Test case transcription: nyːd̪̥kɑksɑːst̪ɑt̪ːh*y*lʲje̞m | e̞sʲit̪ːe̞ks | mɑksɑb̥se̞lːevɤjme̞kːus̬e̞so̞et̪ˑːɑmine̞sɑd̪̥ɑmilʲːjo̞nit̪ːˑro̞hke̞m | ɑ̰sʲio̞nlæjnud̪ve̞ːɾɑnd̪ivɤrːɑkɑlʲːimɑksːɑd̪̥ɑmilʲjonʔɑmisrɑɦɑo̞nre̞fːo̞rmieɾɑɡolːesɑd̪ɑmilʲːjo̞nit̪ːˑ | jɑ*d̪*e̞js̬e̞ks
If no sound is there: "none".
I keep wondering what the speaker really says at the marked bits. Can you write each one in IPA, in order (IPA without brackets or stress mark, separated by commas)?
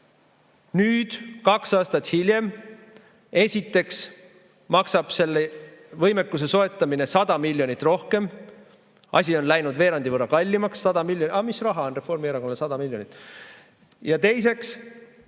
i, t̪